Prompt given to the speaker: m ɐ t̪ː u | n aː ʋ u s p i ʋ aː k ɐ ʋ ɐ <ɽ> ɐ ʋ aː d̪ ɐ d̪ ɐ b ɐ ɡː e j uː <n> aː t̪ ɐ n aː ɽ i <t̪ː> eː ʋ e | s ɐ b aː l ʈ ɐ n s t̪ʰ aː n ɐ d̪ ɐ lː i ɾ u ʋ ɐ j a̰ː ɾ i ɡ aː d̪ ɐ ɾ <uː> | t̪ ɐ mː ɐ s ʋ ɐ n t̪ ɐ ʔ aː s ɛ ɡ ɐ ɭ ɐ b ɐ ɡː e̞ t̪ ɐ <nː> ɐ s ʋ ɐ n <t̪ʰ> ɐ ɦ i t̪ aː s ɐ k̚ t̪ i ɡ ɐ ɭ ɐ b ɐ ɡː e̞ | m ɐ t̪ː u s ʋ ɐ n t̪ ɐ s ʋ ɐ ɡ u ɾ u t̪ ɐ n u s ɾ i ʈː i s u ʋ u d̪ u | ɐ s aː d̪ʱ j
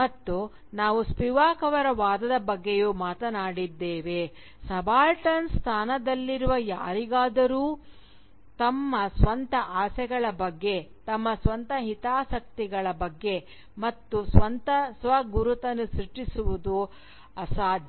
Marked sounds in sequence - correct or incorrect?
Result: incorrect: ɾ, incorrect: m, incorrect: d̪ː, correct, incorrect: mː, incorrect: t̪

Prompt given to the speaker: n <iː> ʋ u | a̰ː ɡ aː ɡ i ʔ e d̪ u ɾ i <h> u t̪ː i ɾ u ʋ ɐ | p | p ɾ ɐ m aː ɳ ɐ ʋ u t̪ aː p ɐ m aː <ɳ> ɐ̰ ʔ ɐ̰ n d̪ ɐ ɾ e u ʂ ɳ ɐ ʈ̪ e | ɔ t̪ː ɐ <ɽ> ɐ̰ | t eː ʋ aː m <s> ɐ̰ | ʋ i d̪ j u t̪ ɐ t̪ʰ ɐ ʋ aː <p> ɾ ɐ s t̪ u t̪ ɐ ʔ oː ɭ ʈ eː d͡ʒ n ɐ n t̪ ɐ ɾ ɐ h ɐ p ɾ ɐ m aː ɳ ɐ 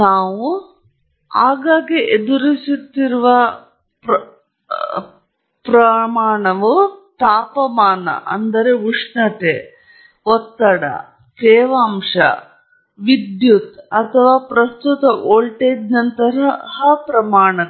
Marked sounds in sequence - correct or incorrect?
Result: incorrect: aː, incorrect: s, incorrect: n, correct, incorrect: ʂ, correct

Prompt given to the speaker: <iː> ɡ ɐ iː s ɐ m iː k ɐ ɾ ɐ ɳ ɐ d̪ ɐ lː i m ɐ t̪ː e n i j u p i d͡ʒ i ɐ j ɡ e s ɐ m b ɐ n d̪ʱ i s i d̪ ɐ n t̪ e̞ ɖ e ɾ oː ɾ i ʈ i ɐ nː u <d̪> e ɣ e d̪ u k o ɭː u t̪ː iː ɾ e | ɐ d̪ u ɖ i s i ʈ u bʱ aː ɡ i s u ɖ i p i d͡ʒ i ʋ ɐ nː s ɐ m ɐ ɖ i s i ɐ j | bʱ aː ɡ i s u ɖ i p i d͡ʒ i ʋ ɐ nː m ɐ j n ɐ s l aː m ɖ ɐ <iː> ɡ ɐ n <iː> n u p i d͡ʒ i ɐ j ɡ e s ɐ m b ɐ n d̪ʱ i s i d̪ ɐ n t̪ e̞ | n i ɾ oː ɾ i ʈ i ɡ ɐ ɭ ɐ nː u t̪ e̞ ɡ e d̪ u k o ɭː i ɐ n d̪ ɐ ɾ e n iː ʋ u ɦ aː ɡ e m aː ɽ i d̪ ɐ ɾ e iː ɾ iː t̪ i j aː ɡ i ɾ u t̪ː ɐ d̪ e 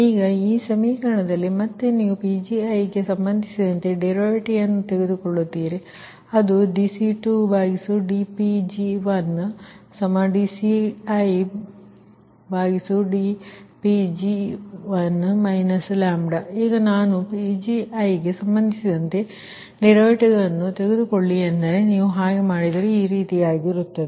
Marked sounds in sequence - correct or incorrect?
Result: correct, incorrect: t̪, correct, incorrect: aː

